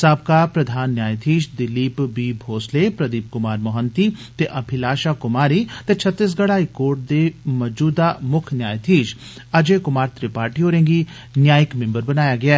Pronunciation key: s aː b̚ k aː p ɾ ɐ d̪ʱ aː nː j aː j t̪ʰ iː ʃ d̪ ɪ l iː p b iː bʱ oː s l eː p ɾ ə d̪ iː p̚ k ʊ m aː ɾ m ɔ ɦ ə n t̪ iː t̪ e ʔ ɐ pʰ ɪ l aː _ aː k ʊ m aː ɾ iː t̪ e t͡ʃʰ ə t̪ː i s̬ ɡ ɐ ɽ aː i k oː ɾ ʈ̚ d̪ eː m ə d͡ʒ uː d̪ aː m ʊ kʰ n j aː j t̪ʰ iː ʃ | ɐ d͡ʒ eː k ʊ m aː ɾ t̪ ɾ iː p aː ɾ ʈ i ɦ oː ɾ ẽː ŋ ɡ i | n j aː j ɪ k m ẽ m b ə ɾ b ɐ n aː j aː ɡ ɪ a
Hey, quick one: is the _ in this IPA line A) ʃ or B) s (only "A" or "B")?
A